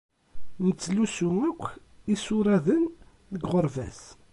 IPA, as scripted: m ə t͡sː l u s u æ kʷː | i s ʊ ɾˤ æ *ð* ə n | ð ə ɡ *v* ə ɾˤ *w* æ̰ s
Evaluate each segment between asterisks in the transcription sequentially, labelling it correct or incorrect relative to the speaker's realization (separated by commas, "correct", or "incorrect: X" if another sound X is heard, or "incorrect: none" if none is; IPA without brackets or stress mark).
correct, incorrect: ʁ, incorrect: v